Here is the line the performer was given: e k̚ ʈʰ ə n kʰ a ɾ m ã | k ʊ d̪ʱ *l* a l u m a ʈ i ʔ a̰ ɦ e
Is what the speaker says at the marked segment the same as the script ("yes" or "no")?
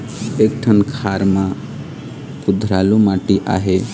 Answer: no